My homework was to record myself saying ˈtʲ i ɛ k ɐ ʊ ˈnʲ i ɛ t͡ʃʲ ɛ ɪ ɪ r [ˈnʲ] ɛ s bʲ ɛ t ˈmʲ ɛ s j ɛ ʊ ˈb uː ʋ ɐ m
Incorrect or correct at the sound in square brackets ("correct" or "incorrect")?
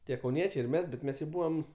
incorrect